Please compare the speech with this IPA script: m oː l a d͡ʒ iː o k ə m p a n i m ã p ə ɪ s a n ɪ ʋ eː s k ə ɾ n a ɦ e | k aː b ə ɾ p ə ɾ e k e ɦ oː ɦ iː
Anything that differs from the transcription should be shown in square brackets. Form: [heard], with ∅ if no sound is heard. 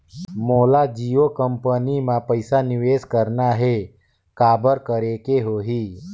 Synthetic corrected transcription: m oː l a d͡ʒ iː o k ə m p [ə] n i m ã p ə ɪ s a n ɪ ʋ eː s k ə ɾ n a ɦ e | k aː b ə ɾ [k] ə ɾ e k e ɦ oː ɦ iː